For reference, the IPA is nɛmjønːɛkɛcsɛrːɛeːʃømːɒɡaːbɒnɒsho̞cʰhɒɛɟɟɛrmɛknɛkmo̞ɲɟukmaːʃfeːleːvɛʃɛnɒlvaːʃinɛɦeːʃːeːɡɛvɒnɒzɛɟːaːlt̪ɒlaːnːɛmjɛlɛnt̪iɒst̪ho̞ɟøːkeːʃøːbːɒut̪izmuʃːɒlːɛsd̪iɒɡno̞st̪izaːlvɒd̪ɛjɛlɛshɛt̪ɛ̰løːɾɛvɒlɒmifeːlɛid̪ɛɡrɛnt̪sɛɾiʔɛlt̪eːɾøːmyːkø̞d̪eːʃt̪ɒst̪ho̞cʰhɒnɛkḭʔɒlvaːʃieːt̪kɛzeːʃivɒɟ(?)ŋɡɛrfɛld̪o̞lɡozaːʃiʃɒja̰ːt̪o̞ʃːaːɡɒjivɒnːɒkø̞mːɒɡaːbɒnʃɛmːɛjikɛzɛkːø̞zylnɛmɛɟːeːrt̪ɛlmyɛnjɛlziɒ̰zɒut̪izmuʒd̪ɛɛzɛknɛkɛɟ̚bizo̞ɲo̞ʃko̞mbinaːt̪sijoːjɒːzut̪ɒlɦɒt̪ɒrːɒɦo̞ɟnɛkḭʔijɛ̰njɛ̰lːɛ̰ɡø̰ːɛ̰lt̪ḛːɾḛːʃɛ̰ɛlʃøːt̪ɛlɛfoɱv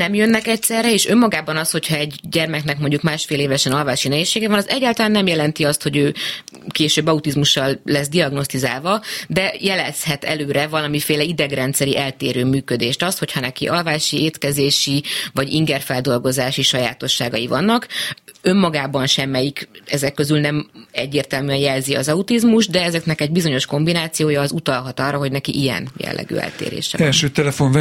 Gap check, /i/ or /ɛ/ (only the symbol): i